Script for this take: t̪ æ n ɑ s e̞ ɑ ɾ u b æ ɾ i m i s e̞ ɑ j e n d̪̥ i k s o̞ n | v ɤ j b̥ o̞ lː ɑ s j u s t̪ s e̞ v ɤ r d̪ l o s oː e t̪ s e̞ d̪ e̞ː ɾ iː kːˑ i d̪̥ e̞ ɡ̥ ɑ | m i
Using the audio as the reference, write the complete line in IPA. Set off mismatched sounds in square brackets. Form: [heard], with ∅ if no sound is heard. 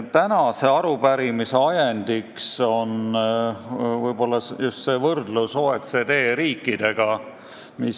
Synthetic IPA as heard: t̪ æ n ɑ s e̞ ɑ ɾ u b æ ɾ i m i s e̞ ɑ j e n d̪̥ i k s o̞ n | v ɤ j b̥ o̞ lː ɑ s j u s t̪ s e̞ v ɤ r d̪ l [u] s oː e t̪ s e̞ d̪ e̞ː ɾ iː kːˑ i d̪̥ e̞ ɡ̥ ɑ | m i